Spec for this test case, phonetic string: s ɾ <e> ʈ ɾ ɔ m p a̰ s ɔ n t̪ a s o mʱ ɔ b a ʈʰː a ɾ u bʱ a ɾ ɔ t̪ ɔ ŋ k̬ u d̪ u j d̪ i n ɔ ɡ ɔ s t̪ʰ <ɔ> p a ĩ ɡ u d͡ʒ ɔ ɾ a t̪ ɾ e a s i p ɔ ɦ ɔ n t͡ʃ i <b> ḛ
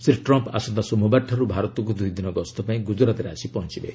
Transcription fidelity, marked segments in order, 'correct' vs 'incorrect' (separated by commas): incorrect, correct, correct